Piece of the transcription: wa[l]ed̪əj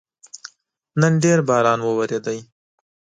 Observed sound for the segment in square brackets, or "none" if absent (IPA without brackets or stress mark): ɾ